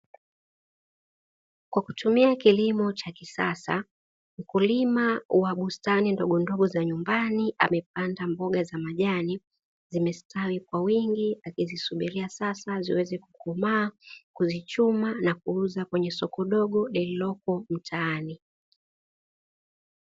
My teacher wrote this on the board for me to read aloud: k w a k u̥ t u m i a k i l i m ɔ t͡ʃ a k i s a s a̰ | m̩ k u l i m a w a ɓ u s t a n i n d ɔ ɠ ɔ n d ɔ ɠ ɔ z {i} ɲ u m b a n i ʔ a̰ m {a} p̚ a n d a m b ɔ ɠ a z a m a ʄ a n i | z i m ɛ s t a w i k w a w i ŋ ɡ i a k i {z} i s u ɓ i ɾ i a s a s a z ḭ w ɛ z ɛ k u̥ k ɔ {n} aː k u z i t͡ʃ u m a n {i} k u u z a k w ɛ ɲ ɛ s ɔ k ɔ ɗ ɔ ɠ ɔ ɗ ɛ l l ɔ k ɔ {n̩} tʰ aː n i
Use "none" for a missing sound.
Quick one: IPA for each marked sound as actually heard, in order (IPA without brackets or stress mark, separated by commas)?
a, ɛ, z, m, a, m̩